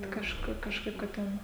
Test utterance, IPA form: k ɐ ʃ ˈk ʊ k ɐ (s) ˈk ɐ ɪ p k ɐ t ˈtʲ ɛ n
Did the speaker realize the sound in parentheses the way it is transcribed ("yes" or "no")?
no